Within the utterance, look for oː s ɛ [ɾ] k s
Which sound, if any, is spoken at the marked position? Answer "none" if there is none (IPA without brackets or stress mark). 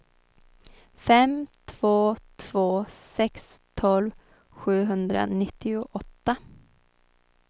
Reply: none